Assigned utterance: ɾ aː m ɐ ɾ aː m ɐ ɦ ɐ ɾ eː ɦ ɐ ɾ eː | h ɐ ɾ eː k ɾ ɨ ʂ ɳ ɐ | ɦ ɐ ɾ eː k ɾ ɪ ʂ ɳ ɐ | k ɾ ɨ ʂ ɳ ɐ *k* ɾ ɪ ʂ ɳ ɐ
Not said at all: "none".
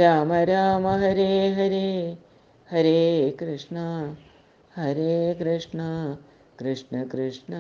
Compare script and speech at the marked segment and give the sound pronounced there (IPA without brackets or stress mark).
k